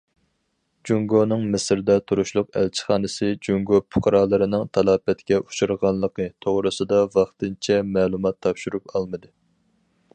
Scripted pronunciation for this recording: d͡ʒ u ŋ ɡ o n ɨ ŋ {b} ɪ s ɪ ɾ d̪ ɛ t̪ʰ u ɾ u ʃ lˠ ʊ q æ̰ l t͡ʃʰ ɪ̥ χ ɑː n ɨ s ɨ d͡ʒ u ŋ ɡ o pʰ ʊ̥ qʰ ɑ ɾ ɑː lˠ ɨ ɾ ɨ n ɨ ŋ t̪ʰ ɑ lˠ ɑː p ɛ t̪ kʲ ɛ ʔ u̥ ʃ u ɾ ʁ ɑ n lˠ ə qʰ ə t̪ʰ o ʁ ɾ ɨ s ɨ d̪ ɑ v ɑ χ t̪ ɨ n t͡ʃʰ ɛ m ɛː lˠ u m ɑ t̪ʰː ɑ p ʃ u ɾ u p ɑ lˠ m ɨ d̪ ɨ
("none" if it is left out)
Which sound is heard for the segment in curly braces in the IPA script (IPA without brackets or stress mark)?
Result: m